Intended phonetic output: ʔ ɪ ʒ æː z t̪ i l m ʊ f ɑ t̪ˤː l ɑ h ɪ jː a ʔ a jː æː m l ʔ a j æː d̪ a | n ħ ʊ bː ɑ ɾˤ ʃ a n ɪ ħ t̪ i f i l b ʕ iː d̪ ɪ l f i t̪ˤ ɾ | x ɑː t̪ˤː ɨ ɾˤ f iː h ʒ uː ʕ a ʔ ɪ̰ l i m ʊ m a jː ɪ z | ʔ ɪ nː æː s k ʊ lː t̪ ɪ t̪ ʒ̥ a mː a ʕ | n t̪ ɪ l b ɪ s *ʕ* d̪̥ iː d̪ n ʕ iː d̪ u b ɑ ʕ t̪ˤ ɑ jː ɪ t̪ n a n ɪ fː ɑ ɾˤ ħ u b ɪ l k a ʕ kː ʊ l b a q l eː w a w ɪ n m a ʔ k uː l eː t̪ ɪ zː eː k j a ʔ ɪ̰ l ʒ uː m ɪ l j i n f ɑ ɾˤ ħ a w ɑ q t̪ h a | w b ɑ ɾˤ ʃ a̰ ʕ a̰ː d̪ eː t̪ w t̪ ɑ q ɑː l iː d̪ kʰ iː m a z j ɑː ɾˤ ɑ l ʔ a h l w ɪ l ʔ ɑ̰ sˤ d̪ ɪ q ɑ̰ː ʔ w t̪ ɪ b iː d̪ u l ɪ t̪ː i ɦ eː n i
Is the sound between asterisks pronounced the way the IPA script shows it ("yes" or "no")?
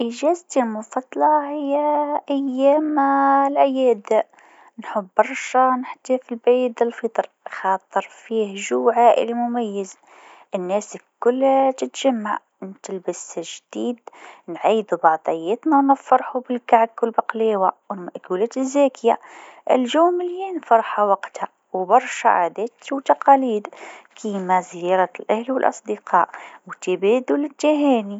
no